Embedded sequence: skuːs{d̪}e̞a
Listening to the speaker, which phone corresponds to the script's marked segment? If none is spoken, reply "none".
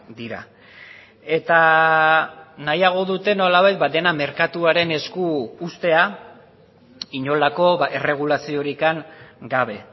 t̪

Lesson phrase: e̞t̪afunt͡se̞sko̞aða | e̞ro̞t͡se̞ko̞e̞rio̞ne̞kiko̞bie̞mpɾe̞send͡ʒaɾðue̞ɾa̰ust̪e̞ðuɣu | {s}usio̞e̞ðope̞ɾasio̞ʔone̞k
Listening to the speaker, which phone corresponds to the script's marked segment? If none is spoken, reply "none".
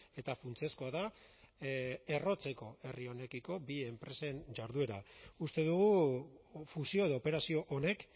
f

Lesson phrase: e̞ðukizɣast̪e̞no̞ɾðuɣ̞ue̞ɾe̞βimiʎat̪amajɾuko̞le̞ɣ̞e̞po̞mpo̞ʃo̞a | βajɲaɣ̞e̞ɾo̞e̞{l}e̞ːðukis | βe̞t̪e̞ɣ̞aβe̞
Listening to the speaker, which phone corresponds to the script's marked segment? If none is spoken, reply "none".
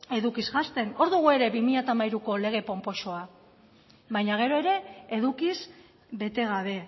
ɾ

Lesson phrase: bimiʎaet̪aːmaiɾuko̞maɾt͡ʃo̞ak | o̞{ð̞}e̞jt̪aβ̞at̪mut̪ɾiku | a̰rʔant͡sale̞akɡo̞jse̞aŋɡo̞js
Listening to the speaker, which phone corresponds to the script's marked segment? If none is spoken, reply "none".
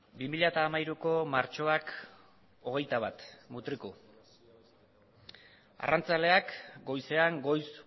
ɣ̞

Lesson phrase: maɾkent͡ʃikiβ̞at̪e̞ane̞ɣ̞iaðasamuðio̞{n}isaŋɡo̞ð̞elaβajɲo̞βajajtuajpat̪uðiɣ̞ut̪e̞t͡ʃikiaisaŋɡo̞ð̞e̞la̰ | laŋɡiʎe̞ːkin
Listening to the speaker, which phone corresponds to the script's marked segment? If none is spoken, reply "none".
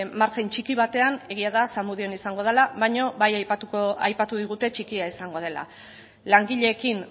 n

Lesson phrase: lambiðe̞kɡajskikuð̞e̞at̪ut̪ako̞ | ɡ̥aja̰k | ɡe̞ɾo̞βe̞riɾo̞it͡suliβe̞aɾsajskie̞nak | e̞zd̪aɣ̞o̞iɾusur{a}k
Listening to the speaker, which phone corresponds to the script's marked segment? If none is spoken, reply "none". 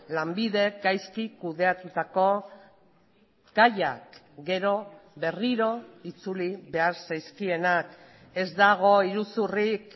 i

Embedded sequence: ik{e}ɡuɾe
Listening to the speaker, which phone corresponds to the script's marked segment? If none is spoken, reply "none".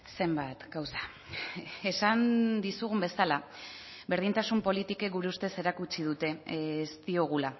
e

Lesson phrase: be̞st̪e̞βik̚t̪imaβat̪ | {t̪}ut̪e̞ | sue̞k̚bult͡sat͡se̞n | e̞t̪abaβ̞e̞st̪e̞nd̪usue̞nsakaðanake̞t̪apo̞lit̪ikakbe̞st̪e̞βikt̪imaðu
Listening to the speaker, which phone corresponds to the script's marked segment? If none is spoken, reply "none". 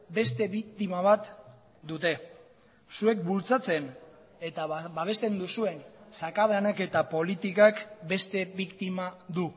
d̪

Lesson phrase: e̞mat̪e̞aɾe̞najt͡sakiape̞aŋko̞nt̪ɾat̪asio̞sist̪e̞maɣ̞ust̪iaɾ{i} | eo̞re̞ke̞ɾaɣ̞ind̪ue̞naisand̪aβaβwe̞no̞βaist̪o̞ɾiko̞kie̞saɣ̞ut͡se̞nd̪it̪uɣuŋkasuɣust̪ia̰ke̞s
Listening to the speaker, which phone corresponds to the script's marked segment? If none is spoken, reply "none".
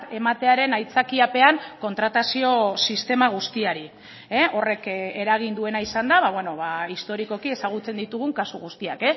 i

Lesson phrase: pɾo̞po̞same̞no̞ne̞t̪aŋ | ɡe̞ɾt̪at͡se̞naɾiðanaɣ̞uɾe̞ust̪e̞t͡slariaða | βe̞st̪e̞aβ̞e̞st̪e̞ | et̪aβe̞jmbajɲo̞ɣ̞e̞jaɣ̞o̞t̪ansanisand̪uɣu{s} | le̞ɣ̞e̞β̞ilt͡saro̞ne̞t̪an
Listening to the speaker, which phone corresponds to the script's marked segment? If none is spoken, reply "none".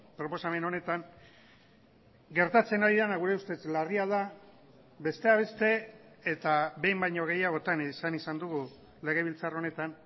none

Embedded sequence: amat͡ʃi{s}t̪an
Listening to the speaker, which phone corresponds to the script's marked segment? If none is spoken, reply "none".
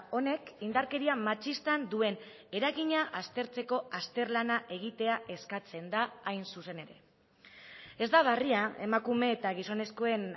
s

